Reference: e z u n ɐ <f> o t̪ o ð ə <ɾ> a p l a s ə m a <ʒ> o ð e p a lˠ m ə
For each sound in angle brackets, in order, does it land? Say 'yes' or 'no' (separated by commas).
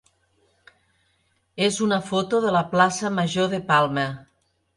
yes, no, yes